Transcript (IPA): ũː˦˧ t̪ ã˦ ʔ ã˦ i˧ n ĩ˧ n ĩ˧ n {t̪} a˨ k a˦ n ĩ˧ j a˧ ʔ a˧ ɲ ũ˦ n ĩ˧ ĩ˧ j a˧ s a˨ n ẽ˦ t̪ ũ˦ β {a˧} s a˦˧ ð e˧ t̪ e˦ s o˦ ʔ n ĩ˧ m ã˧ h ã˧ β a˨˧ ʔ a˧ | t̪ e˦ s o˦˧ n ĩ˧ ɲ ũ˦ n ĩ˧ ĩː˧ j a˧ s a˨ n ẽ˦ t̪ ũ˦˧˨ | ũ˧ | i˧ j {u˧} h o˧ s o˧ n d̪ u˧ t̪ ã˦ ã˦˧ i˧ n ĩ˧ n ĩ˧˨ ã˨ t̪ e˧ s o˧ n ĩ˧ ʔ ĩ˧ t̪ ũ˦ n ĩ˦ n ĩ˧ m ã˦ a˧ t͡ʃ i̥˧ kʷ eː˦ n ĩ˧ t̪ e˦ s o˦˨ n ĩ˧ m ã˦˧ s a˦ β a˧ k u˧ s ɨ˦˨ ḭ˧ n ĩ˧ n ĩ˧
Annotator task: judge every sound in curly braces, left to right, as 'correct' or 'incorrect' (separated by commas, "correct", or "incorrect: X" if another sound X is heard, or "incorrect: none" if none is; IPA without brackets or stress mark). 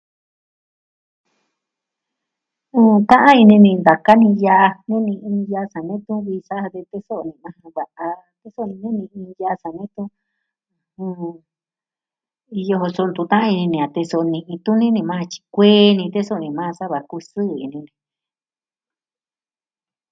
incorrect: d̪, incorrect: i˧, incorrect: o˧